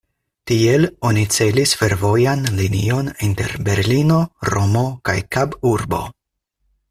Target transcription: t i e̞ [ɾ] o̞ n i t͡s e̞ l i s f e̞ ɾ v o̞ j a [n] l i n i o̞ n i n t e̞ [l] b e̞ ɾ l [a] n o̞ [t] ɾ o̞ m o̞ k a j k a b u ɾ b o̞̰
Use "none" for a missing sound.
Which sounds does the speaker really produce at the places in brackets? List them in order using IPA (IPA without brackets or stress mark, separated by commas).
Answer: l, n, ɾ, i, none